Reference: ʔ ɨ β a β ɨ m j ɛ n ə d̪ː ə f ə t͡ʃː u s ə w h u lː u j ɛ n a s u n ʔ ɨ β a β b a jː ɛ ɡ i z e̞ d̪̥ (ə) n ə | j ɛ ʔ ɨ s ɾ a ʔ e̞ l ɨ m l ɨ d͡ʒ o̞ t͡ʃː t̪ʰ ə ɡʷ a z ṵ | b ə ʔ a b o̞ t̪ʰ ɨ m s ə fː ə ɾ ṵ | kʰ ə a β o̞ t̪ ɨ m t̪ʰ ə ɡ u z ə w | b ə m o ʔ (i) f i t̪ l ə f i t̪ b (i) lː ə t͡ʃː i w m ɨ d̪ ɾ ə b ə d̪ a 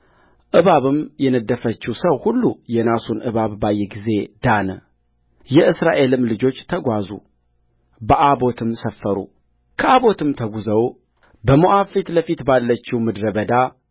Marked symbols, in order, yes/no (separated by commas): no, no, no